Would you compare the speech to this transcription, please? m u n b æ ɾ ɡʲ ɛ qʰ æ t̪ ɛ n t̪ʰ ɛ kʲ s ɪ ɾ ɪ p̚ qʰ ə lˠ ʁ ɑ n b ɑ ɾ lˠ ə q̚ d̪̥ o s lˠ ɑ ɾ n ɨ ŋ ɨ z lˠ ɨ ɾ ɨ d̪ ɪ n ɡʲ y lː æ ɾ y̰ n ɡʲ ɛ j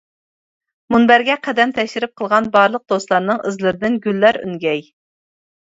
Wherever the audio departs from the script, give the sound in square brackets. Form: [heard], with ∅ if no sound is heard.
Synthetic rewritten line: m u n b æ ɾ ɡʲ ɛ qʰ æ [d̪] ɛ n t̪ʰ ɛ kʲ [ʃ] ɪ ɾ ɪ p̚ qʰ ə lˠ ʁ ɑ n b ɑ ɾ lˠ ə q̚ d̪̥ o s lˠ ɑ ɾ n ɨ ŋ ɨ z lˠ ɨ ɾ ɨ d̪ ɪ n ɡʲ y lː æ ɾ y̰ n ɡʲ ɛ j